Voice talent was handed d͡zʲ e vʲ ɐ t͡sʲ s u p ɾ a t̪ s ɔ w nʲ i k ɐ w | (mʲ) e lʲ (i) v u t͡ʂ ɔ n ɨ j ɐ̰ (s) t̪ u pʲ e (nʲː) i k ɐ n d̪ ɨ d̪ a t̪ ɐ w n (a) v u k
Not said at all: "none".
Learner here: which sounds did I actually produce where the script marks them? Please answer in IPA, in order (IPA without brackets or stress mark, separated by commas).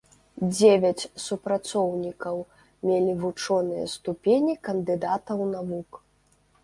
mʲ, i, s, nʲ, a